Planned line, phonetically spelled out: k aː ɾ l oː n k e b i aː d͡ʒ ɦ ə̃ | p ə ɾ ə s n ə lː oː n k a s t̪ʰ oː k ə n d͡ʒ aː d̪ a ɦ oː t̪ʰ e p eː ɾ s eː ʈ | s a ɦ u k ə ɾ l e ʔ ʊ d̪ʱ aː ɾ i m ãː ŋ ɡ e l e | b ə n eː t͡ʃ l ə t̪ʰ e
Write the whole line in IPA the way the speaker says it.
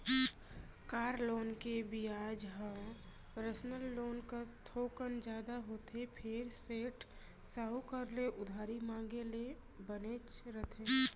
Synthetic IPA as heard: k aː ɾ l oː n k e b i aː d͡ʒ ɦ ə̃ | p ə ɾ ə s n ə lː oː n k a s t̪ʰ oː k ə n d͡ʒ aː d̪ a ɦ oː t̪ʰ e pʰ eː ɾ s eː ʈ | s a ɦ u k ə ɾ l e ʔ ʊ d̪ʱ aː ɾ i m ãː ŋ ɡ e l e | b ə n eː t͡ʃ ɾ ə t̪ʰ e